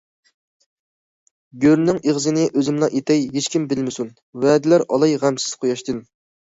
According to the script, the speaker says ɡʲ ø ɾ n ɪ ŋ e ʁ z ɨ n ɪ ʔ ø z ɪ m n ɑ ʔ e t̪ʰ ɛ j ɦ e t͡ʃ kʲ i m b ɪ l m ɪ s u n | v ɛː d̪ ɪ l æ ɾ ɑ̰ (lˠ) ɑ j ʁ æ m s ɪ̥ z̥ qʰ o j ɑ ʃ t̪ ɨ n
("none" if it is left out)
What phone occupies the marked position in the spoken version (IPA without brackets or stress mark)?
lˠ